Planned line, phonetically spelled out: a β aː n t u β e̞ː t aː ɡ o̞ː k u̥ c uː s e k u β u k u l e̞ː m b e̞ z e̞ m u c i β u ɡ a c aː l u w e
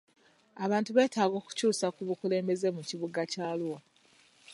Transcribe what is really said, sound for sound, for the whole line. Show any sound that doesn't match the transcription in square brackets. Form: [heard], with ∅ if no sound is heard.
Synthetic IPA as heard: a β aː n t u β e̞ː t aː ɡ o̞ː k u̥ c uː s [a] k u β u k u l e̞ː m b e̞ z e̞ m u c i β u ɡ a c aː l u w [a]